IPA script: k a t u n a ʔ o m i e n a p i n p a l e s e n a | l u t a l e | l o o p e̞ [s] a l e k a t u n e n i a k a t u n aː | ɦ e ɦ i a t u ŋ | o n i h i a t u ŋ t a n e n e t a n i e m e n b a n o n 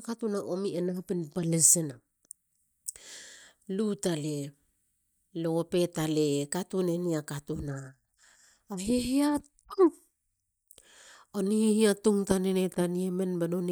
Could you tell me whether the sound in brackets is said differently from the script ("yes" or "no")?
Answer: yes